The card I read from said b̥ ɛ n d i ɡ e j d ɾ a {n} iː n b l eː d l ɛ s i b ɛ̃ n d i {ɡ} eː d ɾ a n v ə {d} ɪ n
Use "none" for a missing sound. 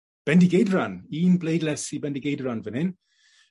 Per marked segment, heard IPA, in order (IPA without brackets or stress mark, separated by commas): n, ɡ, n